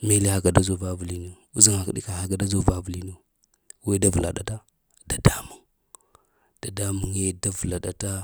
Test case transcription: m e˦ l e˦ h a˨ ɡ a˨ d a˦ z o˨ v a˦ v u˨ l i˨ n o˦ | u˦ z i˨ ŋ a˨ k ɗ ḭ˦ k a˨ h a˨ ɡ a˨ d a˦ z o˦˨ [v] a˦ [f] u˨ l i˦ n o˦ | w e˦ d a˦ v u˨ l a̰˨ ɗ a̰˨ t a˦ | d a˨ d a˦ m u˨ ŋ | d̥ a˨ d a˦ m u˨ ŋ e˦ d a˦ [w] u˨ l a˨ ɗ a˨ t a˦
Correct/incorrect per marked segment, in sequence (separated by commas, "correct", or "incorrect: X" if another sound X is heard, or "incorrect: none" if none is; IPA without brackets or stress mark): correct, incorrect: v, incorrect: v